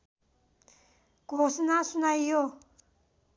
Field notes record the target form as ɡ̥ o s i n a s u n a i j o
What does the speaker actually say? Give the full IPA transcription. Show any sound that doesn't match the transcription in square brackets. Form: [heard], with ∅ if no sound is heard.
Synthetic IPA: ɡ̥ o s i n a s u n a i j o